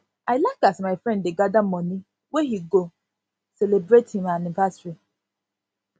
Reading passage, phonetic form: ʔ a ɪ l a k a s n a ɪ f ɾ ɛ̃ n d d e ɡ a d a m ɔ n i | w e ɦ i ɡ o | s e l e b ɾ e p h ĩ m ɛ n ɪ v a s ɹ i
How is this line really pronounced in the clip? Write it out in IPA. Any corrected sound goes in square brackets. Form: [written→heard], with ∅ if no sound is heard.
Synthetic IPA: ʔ a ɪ l a k a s [n→m] a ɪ f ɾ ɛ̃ n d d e ɡ a d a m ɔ n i | w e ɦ i ɡ o | s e l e b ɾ e [p→t] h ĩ m [ɛ→a] n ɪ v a s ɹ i